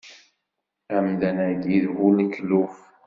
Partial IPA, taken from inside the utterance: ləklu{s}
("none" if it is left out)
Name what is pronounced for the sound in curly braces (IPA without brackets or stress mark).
f